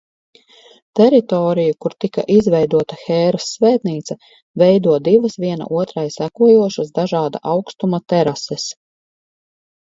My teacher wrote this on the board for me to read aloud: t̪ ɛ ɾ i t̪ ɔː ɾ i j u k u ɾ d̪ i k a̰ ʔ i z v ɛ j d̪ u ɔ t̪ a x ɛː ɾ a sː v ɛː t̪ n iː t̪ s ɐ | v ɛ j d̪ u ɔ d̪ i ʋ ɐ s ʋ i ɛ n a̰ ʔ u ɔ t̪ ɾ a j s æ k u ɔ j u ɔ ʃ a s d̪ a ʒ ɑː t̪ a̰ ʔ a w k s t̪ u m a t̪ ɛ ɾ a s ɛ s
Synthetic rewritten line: t̪ ɛ ɾ i t̪ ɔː ɾ i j u k u ɾ t̪ i k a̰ ʔ i z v ɛ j d̪ u ɔ t̪ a x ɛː ɾ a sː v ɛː t̪ n iː t̪ s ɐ | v ɛ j d̪ u ɔ d̪ i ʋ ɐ s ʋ i ɛ n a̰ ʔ u ɔ t̪ ɾ a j s æ k u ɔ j u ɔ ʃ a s d̪ a ʒ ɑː d̪ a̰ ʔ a w k s t̪ u m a t̪ ɛ ɾ a s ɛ s